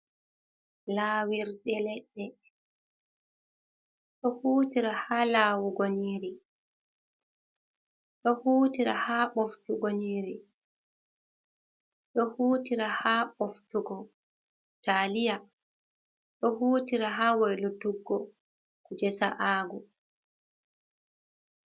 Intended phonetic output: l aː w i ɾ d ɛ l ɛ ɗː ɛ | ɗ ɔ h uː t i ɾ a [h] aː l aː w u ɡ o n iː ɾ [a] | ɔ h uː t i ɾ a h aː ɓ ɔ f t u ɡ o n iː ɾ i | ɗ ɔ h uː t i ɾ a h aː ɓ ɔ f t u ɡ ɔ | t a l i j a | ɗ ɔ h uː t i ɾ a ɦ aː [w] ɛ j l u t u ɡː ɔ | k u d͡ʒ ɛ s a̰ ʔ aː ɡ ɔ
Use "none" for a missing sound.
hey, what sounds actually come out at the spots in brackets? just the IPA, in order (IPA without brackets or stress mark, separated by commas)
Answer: h, i, w